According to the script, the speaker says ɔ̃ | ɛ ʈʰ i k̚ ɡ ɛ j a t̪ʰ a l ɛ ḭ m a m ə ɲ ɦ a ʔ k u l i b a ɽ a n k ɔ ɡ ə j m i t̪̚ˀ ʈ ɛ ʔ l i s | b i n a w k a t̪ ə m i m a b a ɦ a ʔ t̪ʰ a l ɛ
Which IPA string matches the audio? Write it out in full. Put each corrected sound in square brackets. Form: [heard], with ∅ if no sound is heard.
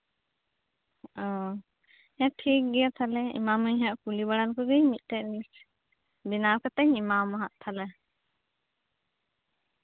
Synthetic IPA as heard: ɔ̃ | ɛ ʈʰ i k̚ ɡ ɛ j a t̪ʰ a l ɛ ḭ m a m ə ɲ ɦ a ʔ k u l i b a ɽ a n k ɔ ɡ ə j m i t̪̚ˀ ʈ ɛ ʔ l i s | b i n a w k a t̪ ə [ɲ] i m a [m] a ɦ a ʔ t̪ʰ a l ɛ